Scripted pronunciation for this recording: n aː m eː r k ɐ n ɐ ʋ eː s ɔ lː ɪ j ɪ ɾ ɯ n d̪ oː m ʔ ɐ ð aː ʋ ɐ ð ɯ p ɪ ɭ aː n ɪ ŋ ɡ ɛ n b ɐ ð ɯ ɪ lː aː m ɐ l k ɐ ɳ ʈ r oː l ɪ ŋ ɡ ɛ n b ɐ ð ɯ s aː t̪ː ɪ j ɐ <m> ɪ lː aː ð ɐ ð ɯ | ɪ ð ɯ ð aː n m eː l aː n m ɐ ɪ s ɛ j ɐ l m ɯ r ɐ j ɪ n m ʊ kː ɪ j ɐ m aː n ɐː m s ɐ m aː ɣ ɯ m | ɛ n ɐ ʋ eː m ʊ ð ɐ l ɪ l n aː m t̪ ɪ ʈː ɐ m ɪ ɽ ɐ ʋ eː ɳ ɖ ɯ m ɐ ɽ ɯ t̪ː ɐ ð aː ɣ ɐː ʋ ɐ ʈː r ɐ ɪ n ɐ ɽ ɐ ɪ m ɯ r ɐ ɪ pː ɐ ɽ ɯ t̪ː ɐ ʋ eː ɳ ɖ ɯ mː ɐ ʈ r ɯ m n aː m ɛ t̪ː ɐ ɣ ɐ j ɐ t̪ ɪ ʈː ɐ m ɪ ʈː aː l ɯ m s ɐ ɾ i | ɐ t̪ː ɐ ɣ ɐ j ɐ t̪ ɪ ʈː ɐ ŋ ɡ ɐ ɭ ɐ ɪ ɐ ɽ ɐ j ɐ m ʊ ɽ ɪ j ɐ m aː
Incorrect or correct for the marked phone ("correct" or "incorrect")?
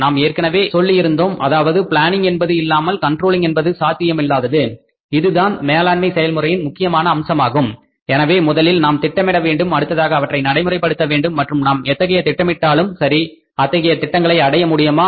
correct